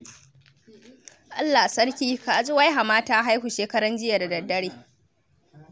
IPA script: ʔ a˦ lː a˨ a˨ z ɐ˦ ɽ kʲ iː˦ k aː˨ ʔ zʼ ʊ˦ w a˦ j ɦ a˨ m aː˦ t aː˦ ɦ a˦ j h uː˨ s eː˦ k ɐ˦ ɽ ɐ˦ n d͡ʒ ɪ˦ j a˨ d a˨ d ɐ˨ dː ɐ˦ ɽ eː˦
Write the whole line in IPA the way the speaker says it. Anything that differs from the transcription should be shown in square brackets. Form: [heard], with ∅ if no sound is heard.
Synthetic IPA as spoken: ʔ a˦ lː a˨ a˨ [s] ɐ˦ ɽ kʲ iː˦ k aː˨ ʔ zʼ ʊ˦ w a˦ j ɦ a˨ m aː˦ t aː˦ ɦ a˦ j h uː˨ [ʃ] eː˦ k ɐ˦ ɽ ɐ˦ n d͡ʒ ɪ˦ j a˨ d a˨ d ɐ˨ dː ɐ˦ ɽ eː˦